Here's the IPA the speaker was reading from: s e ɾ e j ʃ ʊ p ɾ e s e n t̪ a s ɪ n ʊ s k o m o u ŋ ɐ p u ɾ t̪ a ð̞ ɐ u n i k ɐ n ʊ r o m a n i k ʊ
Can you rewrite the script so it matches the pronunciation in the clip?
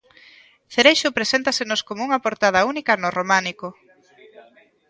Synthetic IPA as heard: θ e ɾ e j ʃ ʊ p ɾ e s e n t̪ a s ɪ n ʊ s k o m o u ŋ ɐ p o ɾ t̪ a ð̞ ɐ u n i k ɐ n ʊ r o m a n i k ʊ